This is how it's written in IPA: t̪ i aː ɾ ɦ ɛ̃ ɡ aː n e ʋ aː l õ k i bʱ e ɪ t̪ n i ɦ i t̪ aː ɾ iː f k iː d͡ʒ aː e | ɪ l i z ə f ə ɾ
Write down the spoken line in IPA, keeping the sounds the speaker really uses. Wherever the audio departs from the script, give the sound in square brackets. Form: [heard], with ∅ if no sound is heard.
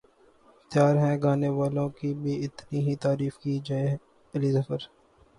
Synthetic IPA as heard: t̪ [j] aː ɾ ɦ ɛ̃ ɡ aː n e ʋ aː l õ k i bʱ [i] ɪ t̪ n i ɦ i t̪ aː ɾ iː f k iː d͡ʒ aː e | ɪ l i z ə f ə ɾ

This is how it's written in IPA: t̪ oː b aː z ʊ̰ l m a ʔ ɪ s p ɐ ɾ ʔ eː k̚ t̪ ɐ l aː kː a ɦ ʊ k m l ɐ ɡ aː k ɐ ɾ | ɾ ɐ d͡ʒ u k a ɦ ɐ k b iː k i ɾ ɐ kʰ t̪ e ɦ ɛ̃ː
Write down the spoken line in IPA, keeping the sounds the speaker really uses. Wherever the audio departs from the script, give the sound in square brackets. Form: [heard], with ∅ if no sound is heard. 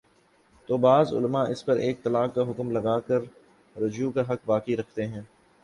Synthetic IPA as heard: t̪ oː b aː z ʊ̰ l m a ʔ ɪ s p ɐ ɾ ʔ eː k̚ t̪ ɐ l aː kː a ɦ ʊ k m l ɐ ɡ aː k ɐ ɾ | ɾ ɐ d͡ʒ u k a ɦ ɐ k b [aː] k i ɾ ɐ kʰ t̪ e ɦ ɛ̃ː

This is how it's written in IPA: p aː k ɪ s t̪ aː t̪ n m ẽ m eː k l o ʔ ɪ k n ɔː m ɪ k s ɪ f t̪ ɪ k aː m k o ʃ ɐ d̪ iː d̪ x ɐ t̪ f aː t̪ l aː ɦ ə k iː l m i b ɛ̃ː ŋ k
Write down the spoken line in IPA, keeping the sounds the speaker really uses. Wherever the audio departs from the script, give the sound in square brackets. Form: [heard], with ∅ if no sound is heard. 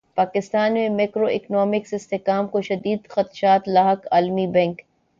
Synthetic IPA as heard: p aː k ɪ s t̪ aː [∅] n m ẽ m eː k [ɾ] o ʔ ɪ k n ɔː m ɪ k s ɪ [s] t̪ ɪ k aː m k o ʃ ɐ d̪ iː d̪ x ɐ t̪ [ʃ] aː t̪ l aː ɦ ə k [aː] l m i b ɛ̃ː ŋ k

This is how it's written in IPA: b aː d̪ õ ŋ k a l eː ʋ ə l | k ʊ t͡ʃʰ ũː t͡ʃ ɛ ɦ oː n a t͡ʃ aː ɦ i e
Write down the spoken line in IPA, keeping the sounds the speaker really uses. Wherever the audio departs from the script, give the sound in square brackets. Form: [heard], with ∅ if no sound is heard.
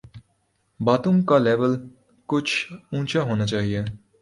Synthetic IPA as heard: b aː [t̪] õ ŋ k a l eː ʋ ə l | k ʊ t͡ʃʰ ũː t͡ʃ [a] ɦ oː n a t͡ʃ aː ɦ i e

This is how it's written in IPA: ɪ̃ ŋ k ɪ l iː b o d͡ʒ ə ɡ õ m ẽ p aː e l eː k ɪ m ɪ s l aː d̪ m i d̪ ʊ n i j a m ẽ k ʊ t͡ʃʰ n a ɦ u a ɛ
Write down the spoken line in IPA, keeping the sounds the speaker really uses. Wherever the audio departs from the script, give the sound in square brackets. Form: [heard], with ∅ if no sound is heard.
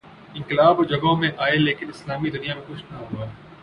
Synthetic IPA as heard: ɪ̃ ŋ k ɪ l [aː] b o d͡ʒ [ɐ] ɡ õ m ẽ [ʔ] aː e l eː k ɪ [n] ɪ s l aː [∅] m i d̪ ʊ n i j a m ẽ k ʊ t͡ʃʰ n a ɦ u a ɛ

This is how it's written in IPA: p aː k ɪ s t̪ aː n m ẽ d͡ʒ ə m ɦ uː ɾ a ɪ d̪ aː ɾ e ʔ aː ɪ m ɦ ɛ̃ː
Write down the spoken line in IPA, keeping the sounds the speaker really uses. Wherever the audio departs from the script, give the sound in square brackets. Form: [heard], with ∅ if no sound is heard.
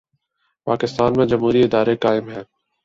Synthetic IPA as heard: p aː k ɪ s t̪ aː n m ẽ d͡ʒ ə m ɦ uː ɾ [i] ɪ d̪ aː ɾ e [k] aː ɪ m ɦ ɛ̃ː

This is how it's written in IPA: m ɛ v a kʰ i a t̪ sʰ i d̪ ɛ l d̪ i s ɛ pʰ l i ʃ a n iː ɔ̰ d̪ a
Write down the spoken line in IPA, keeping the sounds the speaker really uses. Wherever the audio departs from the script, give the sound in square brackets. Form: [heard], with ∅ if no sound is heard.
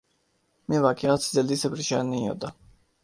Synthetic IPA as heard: m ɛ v a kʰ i a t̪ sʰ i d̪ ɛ l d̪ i s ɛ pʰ [ɾ] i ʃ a n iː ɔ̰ d̪ a

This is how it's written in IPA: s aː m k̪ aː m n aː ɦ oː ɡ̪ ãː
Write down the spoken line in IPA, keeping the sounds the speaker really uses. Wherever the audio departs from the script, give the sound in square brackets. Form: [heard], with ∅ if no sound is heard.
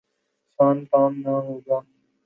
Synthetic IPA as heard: s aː [n] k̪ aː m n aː ɦ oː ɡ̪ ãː

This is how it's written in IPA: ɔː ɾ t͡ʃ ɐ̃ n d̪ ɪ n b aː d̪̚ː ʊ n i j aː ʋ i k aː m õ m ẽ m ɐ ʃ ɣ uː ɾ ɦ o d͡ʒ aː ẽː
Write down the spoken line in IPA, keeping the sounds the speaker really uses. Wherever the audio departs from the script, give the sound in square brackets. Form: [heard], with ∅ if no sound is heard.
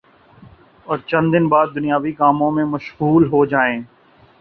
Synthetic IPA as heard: ɔː ɾ t͡ʃ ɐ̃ n d̪ ɪ n b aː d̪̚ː ʊ n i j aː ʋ i k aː m õ m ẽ m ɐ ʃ ɣ uː [l] ɦ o d͡ʒ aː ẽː

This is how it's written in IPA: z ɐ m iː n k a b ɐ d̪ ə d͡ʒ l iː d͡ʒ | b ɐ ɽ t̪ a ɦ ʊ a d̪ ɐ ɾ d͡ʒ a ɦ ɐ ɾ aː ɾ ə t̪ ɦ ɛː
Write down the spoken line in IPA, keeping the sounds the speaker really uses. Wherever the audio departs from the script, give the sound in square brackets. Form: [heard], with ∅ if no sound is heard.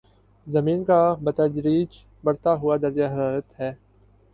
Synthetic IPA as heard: z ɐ m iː n k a b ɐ [t̪] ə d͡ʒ [ɾ] iː d͡ʒ | b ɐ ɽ t̪ a ɦ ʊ a d̪ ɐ ɾ d͡ʒ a ɦ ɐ ɾ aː ɾ ə t̪ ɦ ɛː

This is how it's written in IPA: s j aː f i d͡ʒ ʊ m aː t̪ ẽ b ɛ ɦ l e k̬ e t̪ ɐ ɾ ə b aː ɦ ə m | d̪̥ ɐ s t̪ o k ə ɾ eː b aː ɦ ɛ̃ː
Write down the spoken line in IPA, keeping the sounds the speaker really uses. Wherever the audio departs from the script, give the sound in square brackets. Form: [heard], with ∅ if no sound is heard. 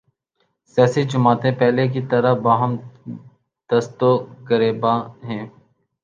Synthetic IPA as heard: s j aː [s] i d͡ʒ ʊ m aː t̪ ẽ [p] ɛ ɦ l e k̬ [i] t̪ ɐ ɾ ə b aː ɦ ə m | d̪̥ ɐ s t̪ o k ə ɾ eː b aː ɦ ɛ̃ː

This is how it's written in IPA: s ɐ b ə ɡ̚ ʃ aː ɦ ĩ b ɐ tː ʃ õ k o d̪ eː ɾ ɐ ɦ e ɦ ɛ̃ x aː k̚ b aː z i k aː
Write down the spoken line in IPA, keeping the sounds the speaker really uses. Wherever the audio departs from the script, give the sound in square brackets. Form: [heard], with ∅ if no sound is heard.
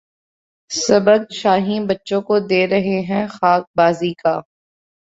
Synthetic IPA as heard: s ɐ b ə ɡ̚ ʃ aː ɦ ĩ b ɐ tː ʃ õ k o d̪ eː ɾ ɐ ɦ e ɦ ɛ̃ x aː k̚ b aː z i k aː

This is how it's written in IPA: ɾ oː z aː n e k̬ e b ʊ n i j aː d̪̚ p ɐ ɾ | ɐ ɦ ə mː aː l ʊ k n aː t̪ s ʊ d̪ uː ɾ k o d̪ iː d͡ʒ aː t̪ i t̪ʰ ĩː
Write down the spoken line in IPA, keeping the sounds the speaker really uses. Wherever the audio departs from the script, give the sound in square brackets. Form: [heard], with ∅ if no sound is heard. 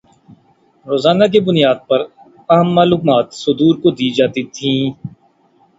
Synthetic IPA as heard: ɾ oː z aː n [a] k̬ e b ʊ n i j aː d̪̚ p ɐ ɾ | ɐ ɦ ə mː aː l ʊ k [m] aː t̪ s ʊ d̪ uː ɾ k o d̪ iː d͡ʒ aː t̪ i t̪ʰ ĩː

